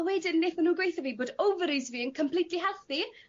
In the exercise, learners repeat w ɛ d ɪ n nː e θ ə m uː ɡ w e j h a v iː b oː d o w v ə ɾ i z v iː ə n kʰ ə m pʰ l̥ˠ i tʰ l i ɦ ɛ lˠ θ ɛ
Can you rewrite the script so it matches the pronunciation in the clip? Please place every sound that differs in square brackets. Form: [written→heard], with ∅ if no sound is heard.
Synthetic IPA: w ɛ d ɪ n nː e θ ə [m→n] uː ɡ w e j [h→θ] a v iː b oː d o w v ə ɾ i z v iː ə n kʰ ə m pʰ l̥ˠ i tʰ l i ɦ ɛ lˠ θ [ɛ→i]